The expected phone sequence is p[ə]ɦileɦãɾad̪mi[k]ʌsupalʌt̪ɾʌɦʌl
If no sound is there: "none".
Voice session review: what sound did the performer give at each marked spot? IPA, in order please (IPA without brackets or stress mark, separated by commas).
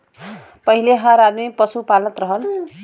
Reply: ʌ, p